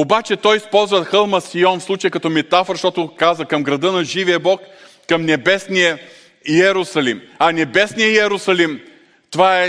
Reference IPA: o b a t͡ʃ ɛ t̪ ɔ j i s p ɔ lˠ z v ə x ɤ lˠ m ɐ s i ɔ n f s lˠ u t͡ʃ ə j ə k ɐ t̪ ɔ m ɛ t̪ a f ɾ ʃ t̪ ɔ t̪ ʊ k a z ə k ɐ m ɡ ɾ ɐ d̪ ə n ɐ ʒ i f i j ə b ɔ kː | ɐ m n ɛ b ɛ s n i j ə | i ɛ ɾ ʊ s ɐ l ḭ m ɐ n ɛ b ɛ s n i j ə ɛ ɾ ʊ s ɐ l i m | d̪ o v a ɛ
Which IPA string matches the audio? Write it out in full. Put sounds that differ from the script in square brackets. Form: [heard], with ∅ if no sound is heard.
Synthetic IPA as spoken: o b a t͡ʃ ɛ t̪ ɔ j i s p ɔ lˠ z v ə x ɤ lˠ m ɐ s i ɔ n f s lˠ u t͡ʃ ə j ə k ɐ t̪ ɔ m ɛ t̪ a f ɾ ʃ t̪ ɔ t̪ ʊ k a z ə k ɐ m ɡ ɾ ɐ d̪ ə n ɐ ʒ i [v] i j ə b ɔ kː | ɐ m n ɛ b ɛ s n i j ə | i ɛ ɾ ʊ s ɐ l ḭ m ɐ n ɛ b ɛ s n i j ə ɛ ɾ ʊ s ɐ l i m | [t̪] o v a ɛ